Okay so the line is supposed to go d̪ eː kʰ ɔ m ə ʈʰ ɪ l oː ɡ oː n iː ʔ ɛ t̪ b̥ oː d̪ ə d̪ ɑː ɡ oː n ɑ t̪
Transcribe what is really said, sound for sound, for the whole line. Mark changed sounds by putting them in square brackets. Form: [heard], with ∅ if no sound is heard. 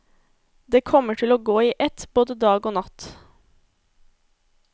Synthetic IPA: d̪ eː kʰ ɔ m ə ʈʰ ɪ l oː ɡ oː [∅] iː ʔ ɛ t̪ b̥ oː d̪ ə d̪ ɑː ɡ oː n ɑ t̪